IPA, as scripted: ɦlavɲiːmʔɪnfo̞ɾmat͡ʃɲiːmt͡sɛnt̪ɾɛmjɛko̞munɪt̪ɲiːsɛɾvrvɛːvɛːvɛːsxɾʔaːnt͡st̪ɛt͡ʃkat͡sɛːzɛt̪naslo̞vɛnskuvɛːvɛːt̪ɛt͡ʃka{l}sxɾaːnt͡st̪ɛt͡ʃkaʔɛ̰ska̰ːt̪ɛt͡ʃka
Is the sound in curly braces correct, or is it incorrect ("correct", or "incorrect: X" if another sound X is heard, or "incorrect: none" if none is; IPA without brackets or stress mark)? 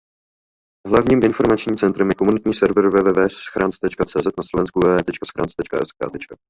incorrect: none